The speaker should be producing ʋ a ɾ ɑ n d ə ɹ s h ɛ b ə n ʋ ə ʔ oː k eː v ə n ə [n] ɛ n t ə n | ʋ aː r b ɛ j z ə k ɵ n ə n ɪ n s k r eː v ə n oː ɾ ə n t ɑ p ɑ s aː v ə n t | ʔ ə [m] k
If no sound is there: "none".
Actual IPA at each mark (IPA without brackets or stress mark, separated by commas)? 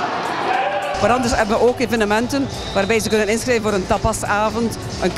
m, n